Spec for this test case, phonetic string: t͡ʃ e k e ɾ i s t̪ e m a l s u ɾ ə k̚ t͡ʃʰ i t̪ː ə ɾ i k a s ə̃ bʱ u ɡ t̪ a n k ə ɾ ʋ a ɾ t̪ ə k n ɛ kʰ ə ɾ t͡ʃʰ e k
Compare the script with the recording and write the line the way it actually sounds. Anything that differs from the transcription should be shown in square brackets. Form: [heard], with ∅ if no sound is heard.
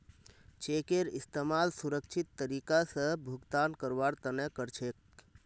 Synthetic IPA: t͡ʃ e k e ɾ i s t̪ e m a l s u ɾ ə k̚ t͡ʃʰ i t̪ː ə ɾ i k a s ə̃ bʱ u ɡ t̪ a n k ə ɾ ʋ a ɾ t̪ ə [∅] n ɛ [k] ə ɾ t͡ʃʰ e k